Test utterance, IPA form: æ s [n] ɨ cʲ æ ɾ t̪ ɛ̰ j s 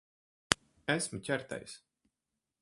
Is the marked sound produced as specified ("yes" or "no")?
no